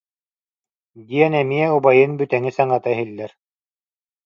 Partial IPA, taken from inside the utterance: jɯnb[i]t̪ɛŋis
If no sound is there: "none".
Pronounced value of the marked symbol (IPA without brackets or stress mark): y